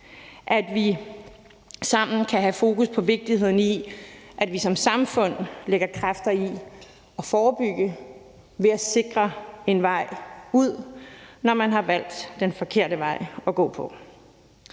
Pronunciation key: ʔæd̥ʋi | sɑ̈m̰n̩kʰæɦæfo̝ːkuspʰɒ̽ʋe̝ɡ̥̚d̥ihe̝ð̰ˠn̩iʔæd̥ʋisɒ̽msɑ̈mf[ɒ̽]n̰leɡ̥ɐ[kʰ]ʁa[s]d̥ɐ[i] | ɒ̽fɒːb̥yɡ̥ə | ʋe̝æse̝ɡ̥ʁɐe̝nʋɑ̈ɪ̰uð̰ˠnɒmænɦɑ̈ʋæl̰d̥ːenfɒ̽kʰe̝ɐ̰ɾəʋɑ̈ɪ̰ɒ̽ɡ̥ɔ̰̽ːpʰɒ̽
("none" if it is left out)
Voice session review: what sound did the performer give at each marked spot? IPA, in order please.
ɔ̽, kʰ, f, i

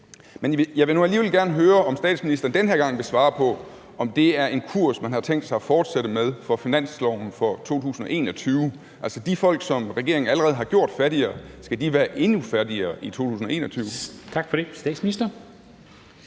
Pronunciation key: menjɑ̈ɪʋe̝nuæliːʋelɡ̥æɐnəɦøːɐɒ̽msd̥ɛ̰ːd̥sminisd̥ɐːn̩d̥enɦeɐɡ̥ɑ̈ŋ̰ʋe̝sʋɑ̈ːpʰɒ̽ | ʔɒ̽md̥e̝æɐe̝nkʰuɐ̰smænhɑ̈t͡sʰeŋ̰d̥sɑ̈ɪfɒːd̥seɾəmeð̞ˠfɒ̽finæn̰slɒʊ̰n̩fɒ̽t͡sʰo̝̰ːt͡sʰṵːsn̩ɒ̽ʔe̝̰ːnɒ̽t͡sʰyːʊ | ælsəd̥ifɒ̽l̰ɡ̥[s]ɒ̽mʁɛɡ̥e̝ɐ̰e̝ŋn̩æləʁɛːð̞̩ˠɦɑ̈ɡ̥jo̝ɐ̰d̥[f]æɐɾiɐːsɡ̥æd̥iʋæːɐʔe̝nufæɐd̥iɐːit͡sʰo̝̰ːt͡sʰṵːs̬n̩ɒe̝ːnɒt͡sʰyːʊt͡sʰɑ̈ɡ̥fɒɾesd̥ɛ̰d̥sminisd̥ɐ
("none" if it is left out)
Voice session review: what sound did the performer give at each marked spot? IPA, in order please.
s, f

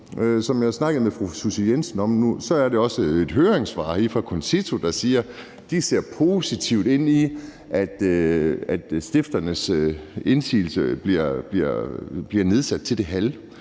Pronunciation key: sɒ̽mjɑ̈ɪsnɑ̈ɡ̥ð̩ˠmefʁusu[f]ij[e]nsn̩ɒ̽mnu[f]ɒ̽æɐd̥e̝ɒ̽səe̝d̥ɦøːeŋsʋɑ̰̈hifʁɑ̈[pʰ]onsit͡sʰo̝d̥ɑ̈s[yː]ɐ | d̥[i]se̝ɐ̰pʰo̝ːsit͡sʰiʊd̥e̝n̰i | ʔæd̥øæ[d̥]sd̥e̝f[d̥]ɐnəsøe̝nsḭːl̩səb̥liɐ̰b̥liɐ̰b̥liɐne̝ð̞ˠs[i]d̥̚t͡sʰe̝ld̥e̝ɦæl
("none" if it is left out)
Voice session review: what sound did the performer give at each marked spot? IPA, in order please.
s, e, s, kʰ, iː, i, d̥, d̥, æ

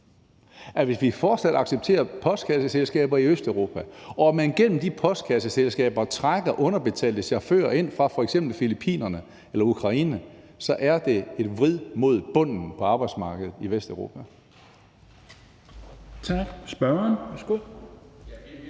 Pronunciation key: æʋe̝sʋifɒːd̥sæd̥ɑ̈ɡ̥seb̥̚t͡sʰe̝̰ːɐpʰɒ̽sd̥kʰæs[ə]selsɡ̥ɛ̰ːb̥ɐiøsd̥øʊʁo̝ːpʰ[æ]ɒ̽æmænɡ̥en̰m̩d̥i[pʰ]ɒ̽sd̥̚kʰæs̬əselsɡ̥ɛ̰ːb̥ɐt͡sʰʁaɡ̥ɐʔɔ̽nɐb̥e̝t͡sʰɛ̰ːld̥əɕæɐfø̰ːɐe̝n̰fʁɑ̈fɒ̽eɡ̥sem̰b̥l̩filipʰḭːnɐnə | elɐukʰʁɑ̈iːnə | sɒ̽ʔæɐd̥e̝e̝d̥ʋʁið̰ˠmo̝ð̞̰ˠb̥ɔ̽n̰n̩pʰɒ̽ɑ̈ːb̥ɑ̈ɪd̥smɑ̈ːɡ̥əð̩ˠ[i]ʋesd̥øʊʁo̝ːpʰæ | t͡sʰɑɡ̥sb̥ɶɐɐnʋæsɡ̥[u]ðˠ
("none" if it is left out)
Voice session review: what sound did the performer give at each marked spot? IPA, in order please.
ə, æ, pʰ, i, o

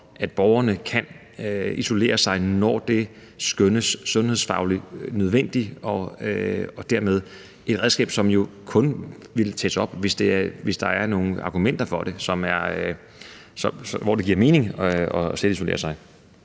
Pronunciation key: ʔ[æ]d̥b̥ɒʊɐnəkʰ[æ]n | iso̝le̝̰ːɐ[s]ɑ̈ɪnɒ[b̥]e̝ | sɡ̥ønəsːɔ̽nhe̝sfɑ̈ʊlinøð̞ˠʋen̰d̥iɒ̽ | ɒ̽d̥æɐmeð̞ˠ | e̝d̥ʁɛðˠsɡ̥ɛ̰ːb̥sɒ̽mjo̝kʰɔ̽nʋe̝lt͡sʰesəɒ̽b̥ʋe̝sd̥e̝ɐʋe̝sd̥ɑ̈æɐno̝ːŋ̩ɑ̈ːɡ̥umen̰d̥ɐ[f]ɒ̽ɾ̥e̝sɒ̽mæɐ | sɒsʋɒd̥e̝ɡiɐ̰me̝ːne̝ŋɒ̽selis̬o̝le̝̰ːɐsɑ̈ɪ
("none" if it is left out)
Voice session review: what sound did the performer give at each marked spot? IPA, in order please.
æ, æ, s, d̥, f

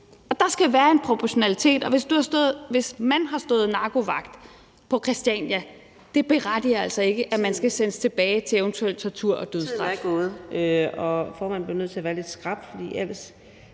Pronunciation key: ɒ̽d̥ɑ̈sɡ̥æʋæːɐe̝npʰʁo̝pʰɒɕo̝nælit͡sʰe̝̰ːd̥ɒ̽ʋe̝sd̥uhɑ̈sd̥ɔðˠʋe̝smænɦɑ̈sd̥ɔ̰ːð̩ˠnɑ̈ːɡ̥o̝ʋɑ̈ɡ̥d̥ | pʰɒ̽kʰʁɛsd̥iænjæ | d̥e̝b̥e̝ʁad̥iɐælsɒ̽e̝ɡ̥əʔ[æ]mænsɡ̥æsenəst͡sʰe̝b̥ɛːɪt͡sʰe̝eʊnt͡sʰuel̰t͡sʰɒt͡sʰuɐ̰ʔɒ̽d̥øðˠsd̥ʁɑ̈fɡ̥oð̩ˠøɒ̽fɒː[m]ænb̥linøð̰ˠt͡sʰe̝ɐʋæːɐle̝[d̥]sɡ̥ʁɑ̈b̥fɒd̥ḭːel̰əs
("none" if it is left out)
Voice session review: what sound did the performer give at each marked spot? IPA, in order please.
æ, m, d̥

